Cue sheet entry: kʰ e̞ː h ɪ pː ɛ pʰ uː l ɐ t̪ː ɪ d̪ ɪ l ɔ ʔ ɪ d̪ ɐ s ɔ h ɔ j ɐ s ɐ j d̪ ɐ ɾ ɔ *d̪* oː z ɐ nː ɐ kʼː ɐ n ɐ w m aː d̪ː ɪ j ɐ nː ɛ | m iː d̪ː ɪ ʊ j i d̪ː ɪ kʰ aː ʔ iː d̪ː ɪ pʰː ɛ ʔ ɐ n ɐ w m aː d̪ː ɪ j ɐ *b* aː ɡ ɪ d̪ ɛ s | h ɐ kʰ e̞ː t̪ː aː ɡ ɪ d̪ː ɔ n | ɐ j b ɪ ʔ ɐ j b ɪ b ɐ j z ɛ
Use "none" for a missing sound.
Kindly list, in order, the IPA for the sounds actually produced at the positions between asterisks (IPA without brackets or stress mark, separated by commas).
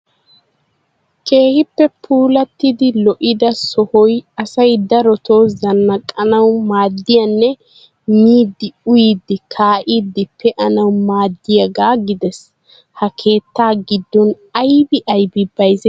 t̪, ɡ